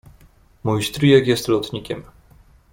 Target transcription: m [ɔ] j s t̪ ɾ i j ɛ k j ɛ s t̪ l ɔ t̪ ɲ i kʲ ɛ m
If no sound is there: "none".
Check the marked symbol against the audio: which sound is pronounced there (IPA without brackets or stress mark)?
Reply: u